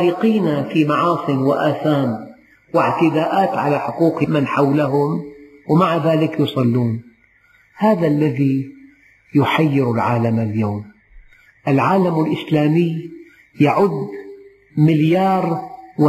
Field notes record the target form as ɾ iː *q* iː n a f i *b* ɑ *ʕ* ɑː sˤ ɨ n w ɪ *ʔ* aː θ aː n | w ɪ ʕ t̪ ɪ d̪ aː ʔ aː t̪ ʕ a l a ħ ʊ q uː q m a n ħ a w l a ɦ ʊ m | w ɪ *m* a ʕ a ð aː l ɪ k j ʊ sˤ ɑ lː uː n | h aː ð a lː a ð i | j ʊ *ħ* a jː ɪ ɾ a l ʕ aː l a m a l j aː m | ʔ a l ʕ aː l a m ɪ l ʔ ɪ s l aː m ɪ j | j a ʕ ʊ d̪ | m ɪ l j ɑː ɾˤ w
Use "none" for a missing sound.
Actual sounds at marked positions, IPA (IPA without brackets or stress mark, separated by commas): q, m, ʕ, ʔ, m, ħ